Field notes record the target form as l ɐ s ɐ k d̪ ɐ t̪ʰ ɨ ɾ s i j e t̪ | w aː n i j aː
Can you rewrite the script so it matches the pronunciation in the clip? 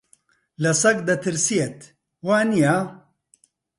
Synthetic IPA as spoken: l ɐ s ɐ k d̪ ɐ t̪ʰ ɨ ɾ s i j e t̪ | w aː n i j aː